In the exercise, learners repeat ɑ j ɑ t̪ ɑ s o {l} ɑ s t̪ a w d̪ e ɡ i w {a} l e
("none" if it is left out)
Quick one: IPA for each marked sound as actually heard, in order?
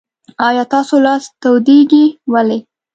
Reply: l, a

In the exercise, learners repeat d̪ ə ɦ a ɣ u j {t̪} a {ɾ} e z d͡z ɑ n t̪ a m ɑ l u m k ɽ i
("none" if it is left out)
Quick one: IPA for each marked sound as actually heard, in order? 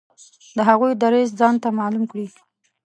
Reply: d̪, ɾ

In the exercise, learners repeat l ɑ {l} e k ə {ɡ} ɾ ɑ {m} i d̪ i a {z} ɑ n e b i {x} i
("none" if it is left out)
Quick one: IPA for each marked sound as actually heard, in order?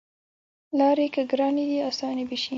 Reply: ɾ, ɡ, n, s, ʃ

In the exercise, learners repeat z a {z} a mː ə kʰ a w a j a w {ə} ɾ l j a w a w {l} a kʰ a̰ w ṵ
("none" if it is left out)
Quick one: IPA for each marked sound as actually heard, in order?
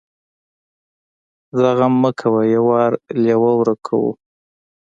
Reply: ɣ, ɑ, ɾ

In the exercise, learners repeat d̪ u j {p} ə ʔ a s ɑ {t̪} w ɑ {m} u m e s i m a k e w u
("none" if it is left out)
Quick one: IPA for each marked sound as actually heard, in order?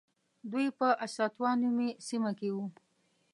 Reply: p, t̪, n

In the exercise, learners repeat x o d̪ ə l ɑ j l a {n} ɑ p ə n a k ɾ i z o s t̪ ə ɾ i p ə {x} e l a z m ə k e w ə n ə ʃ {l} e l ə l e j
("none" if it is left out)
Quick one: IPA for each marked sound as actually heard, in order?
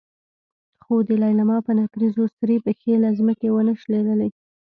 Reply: m, x, l

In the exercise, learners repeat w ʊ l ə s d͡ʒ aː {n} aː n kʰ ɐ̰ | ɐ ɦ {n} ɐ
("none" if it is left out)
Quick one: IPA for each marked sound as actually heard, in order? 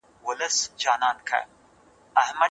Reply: n, m

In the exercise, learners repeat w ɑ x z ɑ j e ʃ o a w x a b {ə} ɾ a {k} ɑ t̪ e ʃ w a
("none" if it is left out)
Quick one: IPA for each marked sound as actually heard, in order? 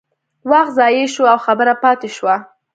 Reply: ə, p

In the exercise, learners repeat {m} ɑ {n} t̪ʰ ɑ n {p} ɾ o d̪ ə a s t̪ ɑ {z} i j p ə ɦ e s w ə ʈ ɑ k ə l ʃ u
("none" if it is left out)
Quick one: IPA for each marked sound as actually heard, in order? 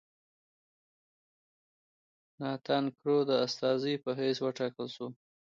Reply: n, none, k, z

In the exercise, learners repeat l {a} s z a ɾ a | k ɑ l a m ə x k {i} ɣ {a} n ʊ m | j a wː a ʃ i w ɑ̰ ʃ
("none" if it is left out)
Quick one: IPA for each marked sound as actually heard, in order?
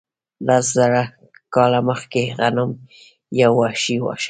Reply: a, e, a

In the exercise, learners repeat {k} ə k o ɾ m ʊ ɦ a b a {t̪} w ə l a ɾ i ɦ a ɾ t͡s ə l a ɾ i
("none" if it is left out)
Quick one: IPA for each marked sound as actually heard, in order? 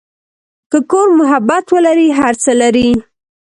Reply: k, t̪

